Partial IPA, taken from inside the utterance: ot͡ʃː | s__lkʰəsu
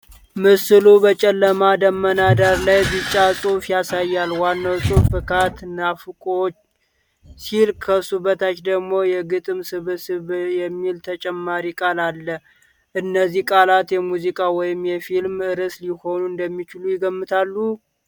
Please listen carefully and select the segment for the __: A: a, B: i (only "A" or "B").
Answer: B